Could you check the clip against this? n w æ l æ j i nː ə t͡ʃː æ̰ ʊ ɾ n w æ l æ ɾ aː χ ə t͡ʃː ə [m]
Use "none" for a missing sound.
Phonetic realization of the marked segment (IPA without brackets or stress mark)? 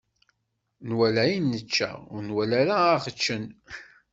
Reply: n